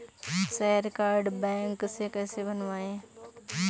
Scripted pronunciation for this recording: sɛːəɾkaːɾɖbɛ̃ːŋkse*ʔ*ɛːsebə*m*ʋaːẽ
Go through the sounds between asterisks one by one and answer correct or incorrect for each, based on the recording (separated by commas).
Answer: incorrect, incorrect